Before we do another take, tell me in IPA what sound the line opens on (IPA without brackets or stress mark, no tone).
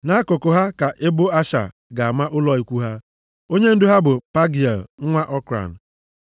n